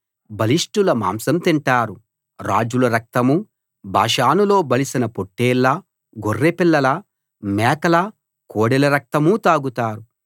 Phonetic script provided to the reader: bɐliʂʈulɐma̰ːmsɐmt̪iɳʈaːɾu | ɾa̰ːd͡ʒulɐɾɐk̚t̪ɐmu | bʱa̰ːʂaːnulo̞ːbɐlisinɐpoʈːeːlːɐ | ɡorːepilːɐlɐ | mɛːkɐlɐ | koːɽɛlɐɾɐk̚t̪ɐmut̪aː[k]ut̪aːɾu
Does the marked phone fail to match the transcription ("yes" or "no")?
yes